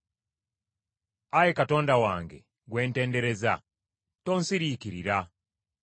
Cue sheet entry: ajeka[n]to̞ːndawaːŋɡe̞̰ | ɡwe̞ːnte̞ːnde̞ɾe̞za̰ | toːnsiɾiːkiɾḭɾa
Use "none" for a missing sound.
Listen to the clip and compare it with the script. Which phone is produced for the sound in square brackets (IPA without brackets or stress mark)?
none